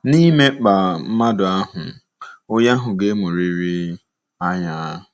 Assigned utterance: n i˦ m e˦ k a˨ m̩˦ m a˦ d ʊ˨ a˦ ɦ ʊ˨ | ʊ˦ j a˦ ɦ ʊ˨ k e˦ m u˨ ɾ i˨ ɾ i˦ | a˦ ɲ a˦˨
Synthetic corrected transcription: n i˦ m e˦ k͡p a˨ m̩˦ m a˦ d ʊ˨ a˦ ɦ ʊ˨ | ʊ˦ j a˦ ɦ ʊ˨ ɡ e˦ m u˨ ɾ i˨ ɾ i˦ | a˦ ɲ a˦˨